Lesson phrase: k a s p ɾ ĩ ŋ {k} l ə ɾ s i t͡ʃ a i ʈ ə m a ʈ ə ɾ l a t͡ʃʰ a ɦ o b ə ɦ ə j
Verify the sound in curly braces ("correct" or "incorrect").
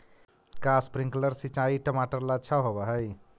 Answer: correct